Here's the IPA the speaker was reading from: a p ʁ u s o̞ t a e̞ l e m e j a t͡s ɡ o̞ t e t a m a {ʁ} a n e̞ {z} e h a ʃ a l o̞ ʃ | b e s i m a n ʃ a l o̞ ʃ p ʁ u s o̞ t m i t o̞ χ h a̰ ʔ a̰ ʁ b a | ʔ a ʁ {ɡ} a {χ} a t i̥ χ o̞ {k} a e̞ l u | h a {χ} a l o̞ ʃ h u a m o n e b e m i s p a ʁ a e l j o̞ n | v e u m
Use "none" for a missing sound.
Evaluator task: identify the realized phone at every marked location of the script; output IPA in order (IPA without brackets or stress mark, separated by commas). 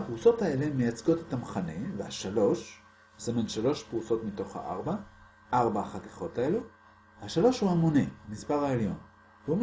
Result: χ, v, b, χ, t, ʃ